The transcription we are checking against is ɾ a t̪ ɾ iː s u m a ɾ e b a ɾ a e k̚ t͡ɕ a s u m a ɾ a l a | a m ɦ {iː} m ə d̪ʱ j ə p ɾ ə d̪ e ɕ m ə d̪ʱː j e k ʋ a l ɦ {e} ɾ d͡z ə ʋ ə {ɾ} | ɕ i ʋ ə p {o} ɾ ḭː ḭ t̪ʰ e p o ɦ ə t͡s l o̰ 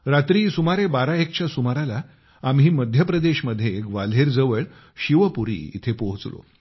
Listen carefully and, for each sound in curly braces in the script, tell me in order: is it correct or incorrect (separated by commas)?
correct, correct, incorrect, incorrect